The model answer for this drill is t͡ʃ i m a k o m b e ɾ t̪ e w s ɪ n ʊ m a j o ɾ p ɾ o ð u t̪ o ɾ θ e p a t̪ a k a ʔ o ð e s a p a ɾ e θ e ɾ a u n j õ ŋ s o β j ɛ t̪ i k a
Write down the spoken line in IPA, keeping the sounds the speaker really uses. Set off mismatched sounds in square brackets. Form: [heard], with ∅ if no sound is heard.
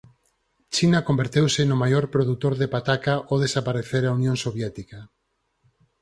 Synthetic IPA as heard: t͡ʃ i [n] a k o m b e ɾ t̪ e w s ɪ n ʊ m a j o ɾ p ɾ o ð u t̪ o ɾ [ð] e p a t̪ a k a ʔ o ð e s a p a ɾ e θ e ɾ a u n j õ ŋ s o β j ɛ t̪ i k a